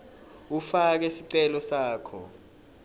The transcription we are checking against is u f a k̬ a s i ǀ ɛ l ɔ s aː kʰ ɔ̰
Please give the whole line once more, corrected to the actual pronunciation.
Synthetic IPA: u f a k̬ ɛ s i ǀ ɛ l ɔ s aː kʰ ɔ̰